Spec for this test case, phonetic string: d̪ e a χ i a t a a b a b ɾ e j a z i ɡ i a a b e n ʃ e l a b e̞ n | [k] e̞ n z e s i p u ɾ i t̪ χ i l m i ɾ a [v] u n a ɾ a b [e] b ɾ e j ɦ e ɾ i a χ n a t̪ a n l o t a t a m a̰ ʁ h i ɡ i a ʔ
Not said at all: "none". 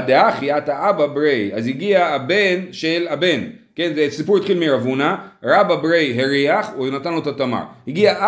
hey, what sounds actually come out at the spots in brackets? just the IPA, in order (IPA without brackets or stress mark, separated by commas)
k, v, a